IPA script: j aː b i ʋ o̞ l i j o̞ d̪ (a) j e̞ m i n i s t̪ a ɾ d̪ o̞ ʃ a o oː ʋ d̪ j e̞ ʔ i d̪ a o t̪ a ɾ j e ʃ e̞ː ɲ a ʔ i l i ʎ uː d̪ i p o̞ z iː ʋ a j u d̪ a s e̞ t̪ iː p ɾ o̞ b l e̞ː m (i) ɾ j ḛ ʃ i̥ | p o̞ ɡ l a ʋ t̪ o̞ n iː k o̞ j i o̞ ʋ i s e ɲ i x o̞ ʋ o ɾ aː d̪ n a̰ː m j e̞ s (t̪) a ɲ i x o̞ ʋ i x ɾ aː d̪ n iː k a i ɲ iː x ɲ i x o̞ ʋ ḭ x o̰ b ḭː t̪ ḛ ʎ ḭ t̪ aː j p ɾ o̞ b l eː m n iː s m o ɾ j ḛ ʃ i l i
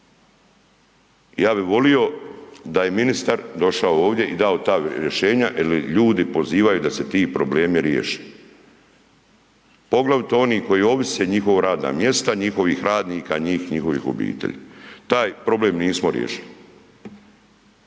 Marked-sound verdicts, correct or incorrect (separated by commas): correct, correct, correct